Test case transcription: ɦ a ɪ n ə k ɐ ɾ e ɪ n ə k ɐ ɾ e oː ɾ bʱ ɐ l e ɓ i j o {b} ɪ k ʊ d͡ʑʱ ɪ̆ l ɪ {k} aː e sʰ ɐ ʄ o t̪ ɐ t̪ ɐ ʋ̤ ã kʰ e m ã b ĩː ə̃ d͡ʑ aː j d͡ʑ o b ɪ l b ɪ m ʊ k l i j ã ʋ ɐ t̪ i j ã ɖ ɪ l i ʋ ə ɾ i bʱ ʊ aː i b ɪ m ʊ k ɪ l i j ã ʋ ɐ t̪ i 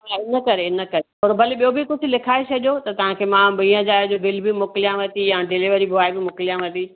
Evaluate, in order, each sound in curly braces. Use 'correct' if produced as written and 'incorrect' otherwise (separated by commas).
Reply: correct, incorrect